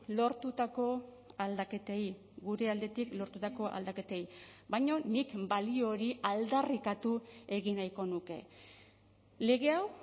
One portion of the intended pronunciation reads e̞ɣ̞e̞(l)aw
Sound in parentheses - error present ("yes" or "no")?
yes